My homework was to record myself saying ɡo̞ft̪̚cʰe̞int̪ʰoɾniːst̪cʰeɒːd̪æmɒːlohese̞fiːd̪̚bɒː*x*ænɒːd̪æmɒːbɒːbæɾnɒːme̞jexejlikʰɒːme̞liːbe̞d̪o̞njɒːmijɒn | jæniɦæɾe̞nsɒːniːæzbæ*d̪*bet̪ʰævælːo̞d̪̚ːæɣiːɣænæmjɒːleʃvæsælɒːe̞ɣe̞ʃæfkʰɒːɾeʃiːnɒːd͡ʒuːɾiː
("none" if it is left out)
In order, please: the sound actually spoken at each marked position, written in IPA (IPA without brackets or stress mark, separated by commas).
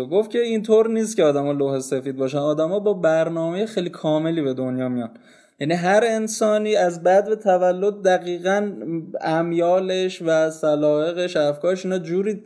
ʃ, d̪